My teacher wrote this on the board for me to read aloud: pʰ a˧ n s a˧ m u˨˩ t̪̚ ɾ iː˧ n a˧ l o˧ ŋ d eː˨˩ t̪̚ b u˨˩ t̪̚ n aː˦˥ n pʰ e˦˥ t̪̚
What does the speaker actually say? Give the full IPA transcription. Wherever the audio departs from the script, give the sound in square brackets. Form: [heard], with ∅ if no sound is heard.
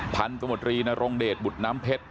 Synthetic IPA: pʰ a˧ n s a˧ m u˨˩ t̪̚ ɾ iː˧ n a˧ [ɾ] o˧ ŋ d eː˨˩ t̪̚ b u˨˩ t̪̚ n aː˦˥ [m] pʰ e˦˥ t̪̚

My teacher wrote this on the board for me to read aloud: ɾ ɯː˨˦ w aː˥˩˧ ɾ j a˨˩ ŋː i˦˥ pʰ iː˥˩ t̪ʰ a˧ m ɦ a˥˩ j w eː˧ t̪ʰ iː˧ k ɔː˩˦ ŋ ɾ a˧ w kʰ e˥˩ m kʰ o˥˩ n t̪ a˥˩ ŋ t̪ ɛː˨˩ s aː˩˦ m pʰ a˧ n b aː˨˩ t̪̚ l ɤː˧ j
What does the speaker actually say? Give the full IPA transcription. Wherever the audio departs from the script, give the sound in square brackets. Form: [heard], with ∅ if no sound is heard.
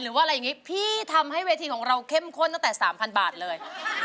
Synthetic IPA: ɾ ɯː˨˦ w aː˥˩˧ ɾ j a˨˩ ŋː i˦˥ pʰ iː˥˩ t̪ʰ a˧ m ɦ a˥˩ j w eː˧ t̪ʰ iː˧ k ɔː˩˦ ŋ ɾ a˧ w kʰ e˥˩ m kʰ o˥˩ n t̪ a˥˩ ŋ t̪ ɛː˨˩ s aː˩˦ m pʰ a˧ n b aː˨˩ t̪̚ l ɤː˧ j

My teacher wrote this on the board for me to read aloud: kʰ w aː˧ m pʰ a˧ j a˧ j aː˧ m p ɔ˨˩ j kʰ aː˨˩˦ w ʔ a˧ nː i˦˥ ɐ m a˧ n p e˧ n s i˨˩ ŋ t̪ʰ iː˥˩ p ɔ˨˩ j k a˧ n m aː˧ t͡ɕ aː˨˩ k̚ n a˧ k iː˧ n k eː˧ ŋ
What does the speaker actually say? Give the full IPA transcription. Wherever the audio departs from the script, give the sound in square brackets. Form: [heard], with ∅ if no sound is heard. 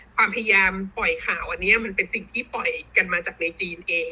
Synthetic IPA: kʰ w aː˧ m pʰ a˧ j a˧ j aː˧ m p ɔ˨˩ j kʰ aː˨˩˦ w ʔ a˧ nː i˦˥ ɐ m a˧ n p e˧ n s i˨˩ ŋ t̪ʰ iː˥˩ p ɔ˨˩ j k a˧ n m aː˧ t͡ɕ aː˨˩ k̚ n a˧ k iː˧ n [ʔ] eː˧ ŋ

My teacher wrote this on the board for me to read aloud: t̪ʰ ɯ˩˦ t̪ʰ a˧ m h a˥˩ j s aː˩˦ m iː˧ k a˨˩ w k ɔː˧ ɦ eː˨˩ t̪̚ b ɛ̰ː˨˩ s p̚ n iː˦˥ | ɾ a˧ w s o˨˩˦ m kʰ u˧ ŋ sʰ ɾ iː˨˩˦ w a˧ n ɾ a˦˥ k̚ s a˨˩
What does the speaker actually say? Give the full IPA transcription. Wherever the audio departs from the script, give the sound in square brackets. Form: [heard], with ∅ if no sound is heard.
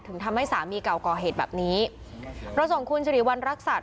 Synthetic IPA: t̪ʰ ɯ˩˦ t̪ʰ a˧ m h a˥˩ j s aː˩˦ m iː˧ k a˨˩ w k [ɔː˨˩] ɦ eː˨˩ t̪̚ b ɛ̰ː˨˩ [∅] p̚ n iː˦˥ | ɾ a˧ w s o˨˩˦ [ŋ] kʰ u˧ [n] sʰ ɾ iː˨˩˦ w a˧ n ɾ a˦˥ k̚ s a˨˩

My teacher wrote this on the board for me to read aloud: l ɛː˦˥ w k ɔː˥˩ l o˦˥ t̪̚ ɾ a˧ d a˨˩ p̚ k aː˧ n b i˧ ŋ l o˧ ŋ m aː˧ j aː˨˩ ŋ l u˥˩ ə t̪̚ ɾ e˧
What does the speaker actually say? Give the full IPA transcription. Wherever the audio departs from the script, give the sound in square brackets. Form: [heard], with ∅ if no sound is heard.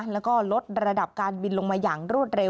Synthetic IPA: l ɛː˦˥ w k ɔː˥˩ l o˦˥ t̪̚ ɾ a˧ d a˨˩ p̚ k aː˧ n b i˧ [n] l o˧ ŋ m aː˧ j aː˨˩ ŋ [ɾ] u˥˩ ə t̪̚ ɾ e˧

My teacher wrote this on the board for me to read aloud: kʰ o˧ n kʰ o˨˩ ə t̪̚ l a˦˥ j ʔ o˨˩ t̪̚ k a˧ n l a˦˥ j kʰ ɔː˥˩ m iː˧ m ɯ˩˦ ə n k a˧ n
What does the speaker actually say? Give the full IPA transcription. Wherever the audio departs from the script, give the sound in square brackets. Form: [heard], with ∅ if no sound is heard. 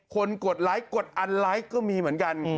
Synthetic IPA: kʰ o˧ n [k] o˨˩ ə t̪̚ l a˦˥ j [k] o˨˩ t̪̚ [ʔ] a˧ n l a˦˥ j [k] ɔː˥˩ m iː˧ m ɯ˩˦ ə n k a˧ n

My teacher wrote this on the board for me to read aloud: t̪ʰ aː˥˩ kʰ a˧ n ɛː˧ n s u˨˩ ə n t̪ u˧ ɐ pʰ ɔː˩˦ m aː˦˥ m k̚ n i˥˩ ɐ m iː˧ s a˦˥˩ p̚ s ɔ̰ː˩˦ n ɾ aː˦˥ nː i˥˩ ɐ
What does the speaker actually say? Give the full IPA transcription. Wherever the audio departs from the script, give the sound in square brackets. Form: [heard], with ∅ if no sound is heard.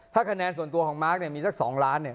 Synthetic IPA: t̪ʰ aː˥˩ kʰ a˧ n ɛː˧ n s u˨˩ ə n t̪ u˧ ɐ [kʰ] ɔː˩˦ m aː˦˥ [∅] k̚ n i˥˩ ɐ m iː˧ s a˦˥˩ [k̚] s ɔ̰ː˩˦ [ŋ] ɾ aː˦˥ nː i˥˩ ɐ

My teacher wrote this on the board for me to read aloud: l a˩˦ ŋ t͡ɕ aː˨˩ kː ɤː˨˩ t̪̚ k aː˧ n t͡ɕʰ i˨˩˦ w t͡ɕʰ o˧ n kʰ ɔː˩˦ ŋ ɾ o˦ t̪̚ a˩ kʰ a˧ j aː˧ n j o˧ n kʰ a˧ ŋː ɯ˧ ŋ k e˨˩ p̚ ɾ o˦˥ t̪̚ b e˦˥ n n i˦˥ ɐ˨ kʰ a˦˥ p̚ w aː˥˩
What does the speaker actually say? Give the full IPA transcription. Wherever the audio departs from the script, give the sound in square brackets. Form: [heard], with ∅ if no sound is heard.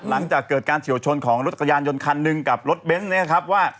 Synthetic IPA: l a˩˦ ŋ t͡ɕ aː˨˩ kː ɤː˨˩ t̪̚ k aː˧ n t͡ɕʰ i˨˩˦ w t͡ɕʰ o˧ n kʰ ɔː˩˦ ŋ ɾ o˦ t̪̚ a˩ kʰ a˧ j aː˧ n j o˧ n kʰ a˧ [nː] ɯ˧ ŋ k [a˨˩] p̚ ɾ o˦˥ t̪̚ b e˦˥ n n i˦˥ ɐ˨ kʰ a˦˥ p̚ w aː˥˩

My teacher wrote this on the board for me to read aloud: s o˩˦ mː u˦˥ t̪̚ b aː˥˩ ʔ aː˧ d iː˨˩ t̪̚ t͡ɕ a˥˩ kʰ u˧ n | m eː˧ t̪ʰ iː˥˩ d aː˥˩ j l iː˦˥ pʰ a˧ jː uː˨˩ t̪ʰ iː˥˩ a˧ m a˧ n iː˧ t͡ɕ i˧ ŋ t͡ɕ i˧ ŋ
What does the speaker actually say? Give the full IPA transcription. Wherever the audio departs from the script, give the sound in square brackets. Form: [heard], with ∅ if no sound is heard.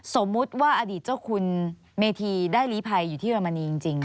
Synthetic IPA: s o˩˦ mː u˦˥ t̪̚ [w] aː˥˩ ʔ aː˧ d iː˨˩ t̪̚ t͡ɕ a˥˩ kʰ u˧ n | m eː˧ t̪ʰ [iː˧] d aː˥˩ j l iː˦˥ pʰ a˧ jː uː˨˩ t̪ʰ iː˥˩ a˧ m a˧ n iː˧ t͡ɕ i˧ ŋ t͡ɕ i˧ ŋ

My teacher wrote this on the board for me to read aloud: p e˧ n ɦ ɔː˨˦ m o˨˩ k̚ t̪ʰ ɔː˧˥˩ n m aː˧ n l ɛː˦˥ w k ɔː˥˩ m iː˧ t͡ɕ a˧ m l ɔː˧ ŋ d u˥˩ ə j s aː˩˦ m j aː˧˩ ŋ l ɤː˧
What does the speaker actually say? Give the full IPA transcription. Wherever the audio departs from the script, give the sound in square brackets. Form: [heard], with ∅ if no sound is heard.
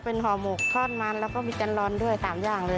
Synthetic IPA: p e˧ n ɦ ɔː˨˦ m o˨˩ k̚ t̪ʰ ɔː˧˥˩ n m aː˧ n l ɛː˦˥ w k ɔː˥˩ m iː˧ t͡ɕ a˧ [n] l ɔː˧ [n] d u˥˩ ə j s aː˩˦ m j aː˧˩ ŋ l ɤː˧

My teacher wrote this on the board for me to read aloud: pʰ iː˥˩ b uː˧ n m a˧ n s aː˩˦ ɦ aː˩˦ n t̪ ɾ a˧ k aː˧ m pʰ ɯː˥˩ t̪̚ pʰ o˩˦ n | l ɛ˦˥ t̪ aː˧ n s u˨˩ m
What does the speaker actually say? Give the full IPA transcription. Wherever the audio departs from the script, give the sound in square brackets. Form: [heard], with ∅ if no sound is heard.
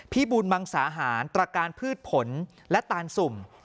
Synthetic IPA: pʰ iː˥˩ b uː˧ n m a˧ [ŋ] s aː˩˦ ɦ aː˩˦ n t̪ ɾ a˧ k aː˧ [n] pʰ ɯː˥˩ t̪̚ pʰ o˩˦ n | l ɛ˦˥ t̪ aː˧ n s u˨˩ m

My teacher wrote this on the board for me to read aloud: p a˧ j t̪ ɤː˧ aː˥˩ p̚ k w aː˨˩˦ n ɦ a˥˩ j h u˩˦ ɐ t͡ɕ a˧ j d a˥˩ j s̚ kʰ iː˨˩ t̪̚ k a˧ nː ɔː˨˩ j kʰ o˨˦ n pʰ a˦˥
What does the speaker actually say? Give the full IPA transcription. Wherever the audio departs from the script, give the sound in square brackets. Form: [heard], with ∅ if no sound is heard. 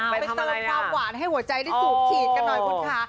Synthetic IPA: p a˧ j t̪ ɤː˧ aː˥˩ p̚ k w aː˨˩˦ n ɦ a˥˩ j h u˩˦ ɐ t͡ɕ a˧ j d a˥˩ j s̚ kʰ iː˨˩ t̪̚ k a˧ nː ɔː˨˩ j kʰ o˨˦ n [kʰ] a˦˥

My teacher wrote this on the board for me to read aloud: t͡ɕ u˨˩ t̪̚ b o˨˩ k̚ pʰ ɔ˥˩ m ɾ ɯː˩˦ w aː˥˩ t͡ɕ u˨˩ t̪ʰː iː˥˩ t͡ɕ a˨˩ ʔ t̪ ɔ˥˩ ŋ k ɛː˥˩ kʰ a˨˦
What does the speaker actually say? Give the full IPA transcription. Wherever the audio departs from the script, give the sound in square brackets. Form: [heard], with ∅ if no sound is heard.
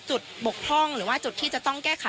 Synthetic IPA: t͡ɕ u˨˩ t̪̚ b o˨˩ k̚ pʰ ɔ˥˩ [ŋ] ɾ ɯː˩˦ w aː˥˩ t͡ɕ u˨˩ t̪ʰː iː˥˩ t͡ɕ a˨˩ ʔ t̪ ɔ˥˩ ŋ k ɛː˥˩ kʰ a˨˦

